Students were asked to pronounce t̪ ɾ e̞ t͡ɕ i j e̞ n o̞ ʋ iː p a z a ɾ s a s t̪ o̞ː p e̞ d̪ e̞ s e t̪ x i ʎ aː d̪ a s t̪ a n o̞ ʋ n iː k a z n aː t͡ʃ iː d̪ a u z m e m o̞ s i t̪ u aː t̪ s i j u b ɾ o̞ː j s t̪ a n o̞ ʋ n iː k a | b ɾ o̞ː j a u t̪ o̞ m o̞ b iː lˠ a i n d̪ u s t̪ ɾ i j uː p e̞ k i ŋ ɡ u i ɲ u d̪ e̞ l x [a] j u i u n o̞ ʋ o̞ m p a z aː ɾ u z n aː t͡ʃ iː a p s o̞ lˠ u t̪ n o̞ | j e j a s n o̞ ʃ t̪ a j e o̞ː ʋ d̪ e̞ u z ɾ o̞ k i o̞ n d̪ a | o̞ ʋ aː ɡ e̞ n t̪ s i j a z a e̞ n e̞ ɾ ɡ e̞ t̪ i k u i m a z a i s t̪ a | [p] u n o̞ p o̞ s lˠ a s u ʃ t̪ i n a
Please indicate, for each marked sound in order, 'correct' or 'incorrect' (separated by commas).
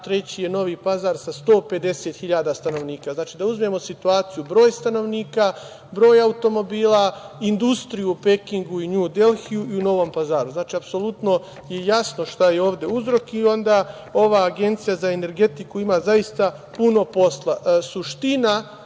incorrect, correct